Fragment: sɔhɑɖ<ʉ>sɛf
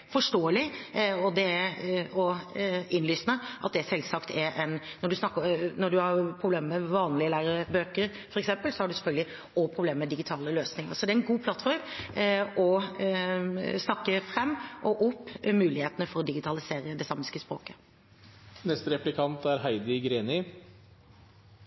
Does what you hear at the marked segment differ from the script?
no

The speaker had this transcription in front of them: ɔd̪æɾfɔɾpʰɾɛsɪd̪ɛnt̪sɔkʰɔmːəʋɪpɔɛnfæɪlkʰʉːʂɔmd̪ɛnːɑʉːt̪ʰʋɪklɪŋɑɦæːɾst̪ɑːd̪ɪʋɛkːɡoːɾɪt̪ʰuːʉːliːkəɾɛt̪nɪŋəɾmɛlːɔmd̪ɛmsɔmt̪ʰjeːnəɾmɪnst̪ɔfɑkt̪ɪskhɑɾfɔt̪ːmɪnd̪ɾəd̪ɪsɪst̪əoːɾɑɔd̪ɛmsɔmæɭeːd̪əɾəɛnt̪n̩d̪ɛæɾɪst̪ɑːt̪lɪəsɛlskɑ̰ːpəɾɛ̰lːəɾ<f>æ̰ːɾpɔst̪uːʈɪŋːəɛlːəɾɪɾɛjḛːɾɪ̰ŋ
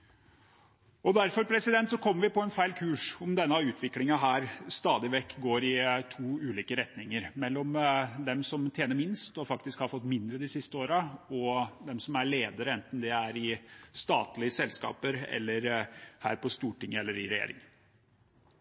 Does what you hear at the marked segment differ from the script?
yes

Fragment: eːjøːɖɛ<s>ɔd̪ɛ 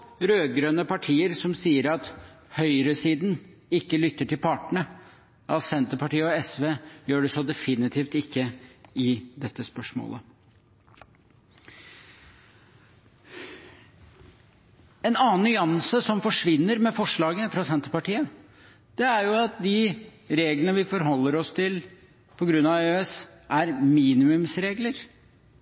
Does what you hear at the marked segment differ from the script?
no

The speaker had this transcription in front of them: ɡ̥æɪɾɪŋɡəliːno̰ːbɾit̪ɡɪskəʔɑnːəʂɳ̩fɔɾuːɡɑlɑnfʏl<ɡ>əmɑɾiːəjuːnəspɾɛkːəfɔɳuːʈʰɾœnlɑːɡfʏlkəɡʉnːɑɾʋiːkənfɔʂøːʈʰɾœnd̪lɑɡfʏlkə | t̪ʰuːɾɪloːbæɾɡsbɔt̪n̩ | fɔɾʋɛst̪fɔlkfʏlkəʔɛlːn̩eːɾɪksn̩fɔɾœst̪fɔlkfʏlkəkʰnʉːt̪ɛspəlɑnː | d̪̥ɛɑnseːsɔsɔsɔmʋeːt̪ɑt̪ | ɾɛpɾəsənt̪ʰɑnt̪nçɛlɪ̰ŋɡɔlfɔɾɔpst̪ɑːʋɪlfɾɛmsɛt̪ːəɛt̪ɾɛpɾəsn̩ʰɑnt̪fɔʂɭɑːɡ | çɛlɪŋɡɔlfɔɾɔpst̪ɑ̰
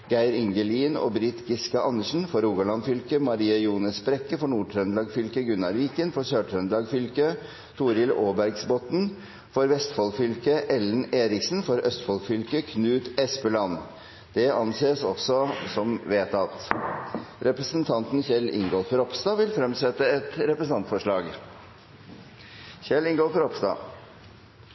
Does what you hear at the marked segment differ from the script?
yes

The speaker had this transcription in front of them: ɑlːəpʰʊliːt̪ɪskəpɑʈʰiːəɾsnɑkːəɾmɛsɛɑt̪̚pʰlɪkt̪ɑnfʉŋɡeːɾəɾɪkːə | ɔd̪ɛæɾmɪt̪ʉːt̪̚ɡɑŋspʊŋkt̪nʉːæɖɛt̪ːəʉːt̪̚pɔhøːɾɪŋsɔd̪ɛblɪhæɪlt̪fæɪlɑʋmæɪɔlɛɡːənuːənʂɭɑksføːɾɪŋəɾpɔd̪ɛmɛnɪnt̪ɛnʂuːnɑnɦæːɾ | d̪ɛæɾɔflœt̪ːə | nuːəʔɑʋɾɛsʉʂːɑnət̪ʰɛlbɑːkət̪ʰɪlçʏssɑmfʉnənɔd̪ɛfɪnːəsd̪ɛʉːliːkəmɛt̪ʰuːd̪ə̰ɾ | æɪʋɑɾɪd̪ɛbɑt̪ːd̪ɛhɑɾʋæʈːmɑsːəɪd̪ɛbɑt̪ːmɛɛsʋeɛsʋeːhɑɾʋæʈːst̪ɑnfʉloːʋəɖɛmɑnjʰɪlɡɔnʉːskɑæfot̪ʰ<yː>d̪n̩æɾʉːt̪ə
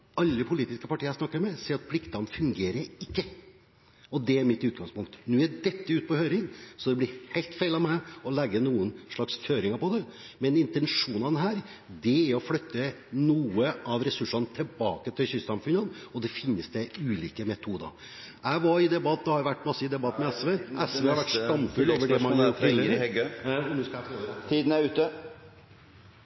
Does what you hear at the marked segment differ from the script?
yes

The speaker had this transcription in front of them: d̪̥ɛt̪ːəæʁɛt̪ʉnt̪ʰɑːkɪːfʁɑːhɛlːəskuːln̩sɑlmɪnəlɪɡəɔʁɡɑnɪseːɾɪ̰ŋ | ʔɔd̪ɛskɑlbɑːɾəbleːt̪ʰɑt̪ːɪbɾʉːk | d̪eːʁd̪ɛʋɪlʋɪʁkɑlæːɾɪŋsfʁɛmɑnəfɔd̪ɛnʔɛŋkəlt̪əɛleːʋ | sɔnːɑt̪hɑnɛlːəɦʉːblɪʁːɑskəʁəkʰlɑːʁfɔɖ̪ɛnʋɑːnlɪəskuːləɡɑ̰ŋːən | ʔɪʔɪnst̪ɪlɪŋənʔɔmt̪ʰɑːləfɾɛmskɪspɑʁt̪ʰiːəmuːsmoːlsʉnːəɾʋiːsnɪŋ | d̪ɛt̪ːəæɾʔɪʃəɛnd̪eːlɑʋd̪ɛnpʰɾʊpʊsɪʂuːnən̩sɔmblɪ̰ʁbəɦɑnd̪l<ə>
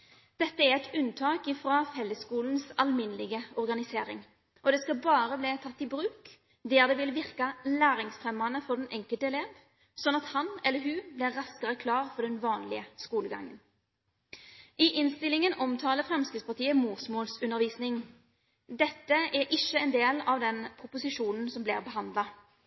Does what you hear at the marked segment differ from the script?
yes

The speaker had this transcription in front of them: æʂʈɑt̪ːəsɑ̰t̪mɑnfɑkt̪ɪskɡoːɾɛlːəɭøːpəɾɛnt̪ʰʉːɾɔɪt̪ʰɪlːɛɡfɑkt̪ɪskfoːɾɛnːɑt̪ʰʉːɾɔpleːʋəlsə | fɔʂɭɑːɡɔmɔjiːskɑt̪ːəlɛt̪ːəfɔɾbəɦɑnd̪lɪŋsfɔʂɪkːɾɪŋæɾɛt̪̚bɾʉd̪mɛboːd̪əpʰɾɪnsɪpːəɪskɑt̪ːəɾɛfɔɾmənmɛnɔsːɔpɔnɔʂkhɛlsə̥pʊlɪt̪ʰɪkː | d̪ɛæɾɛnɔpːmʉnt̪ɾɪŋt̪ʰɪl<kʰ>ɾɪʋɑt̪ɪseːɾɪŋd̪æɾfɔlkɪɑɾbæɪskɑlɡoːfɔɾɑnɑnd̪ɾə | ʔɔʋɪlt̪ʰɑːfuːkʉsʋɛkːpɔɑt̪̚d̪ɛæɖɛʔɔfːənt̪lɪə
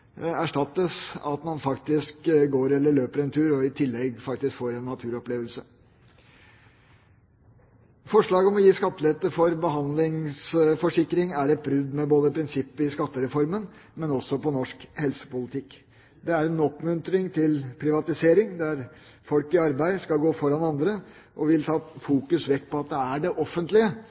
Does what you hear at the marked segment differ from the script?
yes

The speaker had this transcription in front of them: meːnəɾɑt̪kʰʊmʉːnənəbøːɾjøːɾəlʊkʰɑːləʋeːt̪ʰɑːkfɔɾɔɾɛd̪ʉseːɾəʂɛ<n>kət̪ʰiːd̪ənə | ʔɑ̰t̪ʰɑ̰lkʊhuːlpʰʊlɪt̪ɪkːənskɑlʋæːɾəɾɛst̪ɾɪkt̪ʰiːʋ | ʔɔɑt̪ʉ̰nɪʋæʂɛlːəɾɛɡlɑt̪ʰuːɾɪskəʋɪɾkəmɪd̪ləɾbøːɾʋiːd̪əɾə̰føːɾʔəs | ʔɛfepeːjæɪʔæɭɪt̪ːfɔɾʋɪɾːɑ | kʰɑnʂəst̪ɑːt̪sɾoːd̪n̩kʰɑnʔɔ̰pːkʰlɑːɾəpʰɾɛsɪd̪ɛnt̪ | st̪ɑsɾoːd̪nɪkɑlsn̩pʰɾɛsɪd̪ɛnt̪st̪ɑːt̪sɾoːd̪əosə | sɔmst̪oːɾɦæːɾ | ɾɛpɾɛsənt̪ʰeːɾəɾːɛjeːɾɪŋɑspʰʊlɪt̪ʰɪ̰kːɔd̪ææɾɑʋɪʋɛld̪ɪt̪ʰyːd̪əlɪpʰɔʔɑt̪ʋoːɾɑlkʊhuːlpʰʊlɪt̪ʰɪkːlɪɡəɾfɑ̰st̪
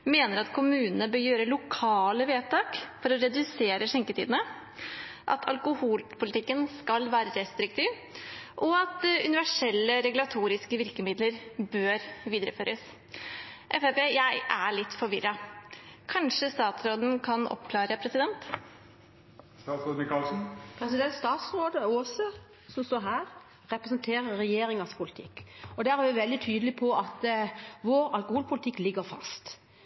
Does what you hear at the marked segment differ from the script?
yes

